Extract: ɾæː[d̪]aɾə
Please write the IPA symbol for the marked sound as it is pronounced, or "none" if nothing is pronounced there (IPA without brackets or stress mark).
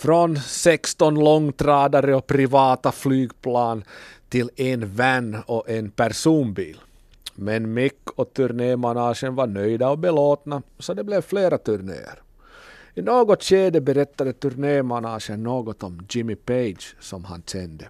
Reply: d̪